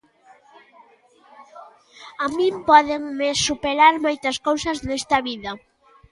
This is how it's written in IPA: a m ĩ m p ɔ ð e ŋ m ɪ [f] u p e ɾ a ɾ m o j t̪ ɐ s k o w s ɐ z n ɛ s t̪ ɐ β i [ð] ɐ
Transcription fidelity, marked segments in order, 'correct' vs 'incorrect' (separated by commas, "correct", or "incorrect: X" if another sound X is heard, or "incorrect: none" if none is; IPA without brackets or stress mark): incorrect: s, correct